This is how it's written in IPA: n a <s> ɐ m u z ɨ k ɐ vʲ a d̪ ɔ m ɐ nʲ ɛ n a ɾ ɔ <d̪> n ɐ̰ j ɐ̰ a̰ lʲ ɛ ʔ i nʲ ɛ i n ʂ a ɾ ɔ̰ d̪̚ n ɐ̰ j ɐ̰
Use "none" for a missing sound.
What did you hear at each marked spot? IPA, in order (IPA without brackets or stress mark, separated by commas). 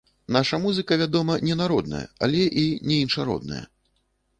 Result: ʂ, d̪